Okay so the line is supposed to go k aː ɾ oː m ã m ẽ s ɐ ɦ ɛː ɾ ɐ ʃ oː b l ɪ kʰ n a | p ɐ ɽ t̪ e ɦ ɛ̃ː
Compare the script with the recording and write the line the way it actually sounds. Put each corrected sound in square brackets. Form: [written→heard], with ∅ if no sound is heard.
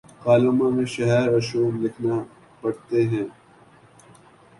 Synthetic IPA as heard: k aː [ɾ→l] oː m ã m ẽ [s→ʃ] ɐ ɦ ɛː ɾ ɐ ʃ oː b l ɪ kʰ n a | p ɐ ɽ t̪ e ɦ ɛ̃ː